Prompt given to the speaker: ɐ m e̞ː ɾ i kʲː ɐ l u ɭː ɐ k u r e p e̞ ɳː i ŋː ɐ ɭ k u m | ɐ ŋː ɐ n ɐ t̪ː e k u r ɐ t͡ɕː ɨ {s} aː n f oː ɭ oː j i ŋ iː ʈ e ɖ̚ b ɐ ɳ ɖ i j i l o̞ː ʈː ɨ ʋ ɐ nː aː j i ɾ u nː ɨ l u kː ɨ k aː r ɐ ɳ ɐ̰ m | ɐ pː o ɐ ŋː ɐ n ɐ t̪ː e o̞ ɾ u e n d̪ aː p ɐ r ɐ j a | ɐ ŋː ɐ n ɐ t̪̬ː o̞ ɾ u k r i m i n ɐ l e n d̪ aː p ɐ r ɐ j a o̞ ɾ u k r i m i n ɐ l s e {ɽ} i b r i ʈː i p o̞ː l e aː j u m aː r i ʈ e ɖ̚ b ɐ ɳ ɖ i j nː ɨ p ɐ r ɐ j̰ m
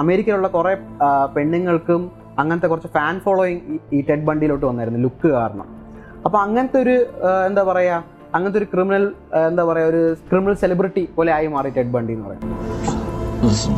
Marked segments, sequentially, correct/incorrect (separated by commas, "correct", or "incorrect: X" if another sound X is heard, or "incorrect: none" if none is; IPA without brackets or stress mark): incorrect: f, incorrect: l